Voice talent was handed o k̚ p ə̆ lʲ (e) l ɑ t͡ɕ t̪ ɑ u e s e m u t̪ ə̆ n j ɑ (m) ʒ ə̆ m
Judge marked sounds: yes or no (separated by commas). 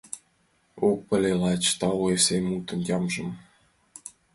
yes, yes